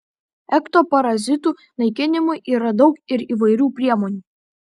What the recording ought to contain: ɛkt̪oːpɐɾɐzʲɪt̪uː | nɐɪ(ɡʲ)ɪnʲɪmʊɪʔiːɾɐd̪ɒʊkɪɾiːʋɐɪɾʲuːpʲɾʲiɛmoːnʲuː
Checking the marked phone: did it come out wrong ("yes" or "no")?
yes